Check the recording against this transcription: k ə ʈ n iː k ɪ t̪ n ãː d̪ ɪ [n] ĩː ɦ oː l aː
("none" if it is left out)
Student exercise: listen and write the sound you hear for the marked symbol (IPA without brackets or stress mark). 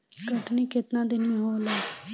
n